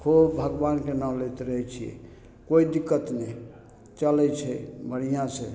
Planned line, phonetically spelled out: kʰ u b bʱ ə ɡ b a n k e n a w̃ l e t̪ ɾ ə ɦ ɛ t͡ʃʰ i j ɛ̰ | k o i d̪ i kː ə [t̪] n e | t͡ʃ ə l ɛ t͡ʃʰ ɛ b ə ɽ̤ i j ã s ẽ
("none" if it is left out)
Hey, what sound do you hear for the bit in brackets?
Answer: t̪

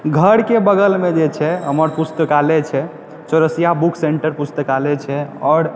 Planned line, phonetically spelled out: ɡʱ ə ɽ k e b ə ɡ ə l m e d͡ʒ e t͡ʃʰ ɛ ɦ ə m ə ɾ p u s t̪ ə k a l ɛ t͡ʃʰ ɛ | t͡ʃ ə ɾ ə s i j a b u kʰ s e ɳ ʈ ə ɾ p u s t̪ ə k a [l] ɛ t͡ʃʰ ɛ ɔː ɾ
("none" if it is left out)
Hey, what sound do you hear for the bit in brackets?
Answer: l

